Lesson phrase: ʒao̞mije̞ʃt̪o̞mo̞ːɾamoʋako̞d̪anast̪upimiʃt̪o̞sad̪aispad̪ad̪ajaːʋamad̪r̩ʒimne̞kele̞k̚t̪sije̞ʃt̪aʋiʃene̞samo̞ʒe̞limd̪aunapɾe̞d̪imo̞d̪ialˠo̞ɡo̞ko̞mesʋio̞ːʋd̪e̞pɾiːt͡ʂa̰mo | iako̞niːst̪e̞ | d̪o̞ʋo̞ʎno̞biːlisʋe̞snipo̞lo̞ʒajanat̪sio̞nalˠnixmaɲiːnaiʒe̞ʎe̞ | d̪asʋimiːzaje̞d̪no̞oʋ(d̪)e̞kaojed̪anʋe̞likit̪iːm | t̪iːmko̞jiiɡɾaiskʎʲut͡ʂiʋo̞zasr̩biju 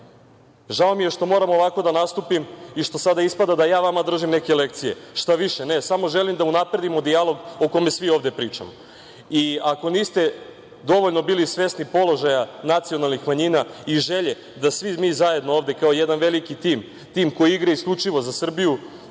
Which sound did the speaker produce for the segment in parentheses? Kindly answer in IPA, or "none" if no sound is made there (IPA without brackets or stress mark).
d̪